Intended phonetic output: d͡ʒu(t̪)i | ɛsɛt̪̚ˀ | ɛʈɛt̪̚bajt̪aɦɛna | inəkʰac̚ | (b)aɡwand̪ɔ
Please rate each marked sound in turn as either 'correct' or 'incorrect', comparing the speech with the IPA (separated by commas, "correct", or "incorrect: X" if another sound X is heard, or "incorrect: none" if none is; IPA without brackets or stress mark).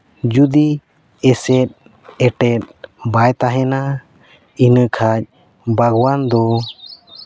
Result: incorrect: d̪, correct